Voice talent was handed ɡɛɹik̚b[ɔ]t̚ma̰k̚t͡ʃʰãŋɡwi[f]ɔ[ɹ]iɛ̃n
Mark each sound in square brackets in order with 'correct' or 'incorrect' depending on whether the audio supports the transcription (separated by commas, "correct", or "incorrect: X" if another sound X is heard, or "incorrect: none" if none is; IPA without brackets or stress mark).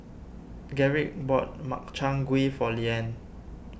correct, correct, incorrect: l